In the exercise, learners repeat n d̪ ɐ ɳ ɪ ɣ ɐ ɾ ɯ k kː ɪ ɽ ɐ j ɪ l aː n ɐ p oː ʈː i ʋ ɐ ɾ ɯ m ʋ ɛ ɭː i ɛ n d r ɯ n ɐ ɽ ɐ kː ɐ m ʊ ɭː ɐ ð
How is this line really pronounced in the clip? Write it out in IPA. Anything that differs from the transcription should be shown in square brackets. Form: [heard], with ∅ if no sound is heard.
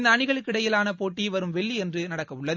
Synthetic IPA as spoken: n d̪ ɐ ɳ ɪ ɣ ɐ [ɭ] ɯ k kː ɪ ɽ ɐ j ɪ l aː n ɐ p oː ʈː i ʋ ɐ ɾ ɯ m ʋ ɛ ɭː i ɛ n d r ɯ n ɐ ɽ ɐ kː ɐ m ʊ ɭː ɐ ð